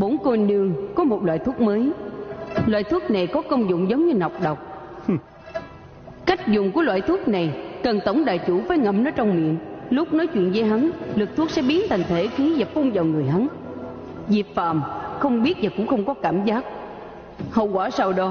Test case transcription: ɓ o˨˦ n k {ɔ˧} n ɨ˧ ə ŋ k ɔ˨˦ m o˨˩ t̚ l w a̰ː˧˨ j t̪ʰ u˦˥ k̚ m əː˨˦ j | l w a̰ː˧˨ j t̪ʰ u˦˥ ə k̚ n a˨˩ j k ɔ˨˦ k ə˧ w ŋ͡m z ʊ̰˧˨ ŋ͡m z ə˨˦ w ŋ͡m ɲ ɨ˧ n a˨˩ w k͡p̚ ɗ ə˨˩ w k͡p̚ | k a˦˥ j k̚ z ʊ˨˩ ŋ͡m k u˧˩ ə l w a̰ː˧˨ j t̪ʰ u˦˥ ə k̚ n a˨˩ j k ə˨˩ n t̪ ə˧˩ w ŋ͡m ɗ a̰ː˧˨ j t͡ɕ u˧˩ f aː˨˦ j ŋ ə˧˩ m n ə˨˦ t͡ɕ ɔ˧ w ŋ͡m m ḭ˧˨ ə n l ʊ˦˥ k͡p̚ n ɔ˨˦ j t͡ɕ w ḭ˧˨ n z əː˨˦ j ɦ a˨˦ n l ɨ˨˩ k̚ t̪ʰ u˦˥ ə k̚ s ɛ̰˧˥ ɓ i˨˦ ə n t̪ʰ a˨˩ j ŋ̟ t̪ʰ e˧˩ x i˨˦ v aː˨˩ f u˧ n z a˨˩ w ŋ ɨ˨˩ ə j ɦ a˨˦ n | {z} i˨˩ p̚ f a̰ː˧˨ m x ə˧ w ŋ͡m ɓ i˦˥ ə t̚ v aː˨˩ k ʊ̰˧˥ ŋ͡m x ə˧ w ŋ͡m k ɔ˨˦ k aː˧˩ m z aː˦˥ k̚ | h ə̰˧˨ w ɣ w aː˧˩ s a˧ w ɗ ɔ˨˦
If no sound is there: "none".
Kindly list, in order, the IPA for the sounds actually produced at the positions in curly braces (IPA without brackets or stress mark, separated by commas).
o˧, z